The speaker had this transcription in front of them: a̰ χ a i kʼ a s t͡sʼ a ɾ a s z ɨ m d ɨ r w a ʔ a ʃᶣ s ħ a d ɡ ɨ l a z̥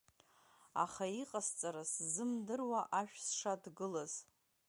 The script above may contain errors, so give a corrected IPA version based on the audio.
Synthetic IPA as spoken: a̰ χ a i qʼ a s t͡sʼ a ɾ a s z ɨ m d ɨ r w a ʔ a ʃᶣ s ʂ a d ɡ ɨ l a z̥